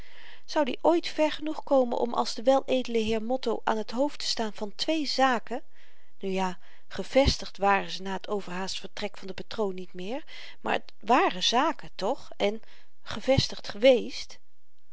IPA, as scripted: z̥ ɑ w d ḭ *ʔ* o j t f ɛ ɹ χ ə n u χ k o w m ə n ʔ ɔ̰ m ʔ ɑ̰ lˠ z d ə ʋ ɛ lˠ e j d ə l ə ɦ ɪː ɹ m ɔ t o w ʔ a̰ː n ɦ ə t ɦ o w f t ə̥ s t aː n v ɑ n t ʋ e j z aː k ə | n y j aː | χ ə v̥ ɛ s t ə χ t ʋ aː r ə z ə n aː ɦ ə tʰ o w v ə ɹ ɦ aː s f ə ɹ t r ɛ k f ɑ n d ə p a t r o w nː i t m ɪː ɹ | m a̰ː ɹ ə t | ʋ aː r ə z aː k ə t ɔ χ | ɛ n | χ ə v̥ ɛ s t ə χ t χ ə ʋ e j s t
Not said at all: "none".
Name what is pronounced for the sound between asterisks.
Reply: ʔ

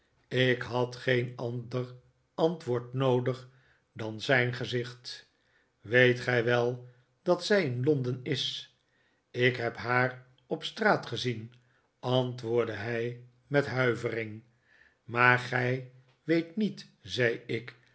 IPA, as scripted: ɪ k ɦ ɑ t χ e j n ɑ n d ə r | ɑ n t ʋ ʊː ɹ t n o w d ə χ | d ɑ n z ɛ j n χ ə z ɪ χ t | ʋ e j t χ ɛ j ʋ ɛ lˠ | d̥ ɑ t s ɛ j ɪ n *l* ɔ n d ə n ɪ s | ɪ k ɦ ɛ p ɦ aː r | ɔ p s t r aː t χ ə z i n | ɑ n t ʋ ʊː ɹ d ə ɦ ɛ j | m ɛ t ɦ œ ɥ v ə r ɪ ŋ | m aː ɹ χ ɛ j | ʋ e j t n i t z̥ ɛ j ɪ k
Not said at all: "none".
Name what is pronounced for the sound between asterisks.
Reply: l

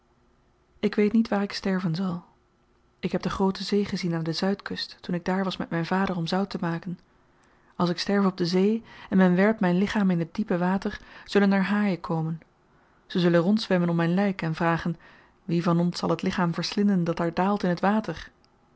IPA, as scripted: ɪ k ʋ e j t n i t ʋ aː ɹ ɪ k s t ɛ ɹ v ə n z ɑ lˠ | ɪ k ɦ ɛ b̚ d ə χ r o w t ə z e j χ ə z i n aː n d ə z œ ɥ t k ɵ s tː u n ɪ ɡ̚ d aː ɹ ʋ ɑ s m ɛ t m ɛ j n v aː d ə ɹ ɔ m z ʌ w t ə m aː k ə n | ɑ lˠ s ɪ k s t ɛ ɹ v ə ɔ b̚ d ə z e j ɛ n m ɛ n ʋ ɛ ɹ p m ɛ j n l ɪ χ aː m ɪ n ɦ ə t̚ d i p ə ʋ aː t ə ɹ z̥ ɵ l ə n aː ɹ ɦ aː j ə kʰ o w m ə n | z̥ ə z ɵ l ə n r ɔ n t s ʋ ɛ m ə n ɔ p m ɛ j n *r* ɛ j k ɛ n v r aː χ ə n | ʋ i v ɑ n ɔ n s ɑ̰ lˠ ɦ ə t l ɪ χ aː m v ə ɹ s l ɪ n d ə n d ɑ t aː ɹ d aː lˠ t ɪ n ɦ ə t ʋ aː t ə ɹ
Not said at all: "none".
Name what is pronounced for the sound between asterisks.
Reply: l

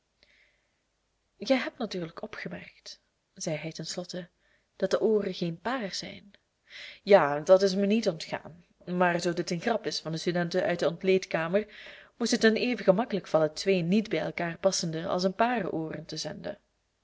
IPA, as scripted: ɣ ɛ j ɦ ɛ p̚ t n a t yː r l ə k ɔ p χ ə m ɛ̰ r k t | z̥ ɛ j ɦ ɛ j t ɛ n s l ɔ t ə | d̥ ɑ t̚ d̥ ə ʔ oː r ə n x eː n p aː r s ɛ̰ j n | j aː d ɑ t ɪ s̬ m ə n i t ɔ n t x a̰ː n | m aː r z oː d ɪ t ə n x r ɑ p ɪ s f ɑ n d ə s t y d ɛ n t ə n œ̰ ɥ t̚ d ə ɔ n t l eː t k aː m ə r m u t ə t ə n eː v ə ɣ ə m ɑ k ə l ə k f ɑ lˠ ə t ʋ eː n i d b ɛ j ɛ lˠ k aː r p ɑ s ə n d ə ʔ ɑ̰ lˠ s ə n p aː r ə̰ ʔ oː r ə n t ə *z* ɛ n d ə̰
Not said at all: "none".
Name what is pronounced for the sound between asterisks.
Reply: z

